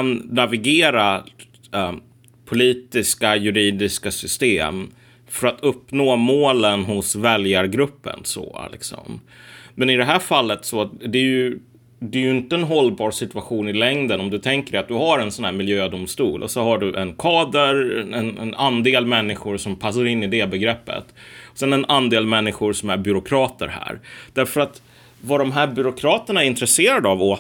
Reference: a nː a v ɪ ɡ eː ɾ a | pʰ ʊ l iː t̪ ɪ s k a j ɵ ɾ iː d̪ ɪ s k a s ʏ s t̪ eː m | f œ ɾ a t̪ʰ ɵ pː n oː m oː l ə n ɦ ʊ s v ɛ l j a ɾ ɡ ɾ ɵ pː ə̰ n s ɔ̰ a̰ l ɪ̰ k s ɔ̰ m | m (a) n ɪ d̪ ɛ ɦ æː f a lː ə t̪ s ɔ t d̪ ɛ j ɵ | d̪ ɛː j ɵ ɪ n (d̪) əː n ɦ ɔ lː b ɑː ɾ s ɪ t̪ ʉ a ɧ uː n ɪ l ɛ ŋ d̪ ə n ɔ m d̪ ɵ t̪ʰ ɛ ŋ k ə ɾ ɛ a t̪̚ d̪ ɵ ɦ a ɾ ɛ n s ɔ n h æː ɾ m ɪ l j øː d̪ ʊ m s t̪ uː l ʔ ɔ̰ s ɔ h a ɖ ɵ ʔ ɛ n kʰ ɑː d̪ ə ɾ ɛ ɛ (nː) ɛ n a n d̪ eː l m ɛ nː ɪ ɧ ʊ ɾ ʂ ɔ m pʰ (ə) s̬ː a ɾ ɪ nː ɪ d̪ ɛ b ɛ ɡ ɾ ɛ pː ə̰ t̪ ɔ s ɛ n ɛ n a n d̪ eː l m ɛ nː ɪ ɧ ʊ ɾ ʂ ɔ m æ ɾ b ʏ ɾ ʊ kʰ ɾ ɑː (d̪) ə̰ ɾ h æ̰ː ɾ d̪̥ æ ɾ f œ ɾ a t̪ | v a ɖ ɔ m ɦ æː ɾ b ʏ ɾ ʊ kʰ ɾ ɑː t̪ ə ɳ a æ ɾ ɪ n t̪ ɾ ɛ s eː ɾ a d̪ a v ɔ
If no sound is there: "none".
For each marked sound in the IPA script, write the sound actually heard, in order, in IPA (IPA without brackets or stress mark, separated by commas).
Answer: ɛ, t̪, n, a, t̪